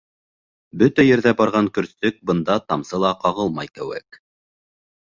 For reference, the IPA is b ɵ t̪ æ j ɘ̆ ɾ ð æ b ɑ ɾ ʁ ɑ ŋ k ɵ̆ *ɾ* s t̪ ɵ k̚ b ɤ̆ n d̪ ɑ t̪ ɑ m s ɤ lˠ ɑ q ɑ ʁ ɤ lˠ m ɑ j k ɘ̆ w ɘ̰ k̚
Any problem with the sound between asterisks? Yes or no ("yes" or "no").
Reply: no